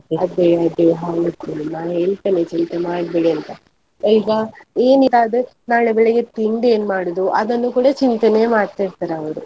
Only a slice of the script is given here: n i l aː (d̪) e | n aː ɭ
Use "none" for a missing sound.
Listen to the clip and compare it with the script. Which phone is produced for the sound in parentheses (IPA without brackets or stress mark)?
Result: d̪